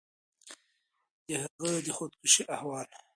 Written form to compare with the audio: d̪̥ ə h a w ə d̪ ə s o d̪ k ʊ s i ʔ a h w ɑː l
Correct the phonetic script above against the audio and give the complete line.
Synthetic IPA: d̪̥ ə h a ɣ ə d̪ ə x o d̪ k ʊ ʃ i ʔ a h w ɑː l